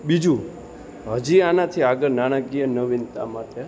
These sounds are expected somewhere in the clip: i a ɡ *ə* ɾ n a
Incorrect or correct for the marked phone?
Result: correct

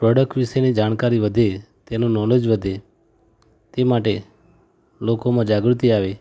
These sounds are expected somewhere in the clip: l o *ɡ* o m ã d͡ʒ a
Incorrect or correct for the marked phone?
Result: incorrect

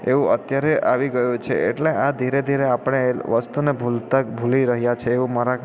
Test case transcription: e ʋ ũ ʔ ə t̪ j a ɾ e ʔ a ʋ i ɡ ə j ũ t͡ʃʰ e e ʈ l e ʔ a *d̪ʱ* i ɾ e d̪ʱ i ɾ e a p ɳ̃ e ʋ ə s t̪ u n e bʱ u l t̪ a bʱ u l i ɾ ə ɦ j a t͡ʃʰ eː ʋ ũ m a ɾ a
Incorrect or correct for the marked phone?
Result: correct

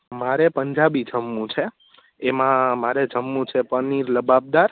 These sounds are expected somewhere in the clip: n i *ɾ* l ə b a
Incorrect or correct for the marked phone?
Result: correct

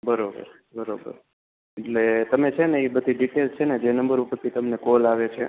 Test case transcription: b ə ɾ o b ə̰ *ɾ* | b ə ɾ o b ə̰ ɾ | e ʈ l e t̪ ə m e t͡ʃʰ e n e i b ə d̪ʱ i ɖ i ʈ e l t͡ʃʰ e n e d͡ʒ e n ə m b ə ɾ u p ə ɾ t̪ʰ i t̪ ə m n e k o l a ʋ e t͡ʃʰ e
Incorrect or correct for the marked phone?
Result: correct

